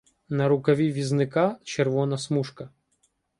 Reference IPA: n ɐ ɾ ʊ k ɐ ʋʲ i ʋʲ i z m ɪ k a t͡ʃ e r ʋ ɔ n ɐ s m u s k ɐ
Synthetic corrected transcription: n ɐ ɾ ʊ k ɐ ʋʲ i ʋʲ i z n ɪ k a t͡ʃ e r ʋ ɔ n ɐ s m u ʃ k ɐ